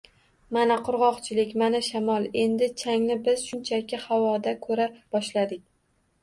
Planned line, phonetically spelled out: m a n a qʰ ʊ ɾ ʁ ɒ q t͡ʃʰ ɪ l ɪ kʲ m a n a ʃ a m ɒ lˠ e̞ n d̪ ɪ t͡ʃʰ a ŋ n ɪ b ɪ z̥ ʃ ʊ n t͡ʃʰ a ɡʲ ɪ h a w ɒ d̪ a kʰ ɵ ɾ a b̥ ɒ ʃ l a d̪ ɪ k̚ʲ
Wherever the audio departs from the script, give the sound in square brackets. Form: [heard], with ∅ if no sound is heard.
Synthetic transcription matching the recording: m a n a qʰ ʊ ɾ ʁ ɒ q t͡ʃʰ ɪ l ɪ kʲ m a n a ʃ a m ɒ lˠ e̞ n d̪ ɪ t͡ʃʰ a ŋ n ɪ b ɪ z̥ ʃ ʊ n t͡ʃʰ a [kʲ] ɪ h a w ɒ d̪ a kʰ ɵ ɾ a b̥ ɒ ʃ l a d̪ ɪ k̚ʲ